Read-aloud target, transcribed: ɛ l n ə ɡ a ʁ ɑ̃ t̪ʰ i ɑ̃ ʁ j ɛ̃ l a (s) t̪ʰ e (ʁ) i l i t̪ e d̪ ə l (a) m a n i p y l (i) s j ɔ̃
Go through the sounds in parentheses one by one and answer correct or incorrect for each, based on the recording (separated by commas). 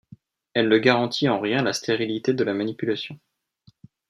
correct, correct, correct, incorrect